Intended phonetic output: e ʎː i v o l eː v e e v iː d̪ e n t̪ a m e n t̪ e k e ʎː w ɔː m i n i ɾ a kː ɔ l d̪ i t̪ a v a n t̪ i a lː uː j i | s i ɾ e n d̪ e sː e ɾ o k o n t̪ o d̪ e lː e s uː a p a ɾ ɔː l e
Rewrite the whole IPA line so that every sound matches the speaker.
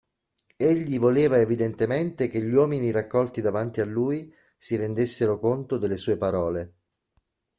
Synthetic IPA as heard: e ʎː i v o l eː v a e v i d̪ e n t̪ e m e n t̪ e k e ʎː w ɔː m i n i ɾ a kː ɔ l t̪ i d̪ a v a n t̪ i a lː uː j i | s i ɾ e n d̪ e sː e ɾ o k o n t̪ o d̪ e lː e s uː e p a ɾ ɔː l e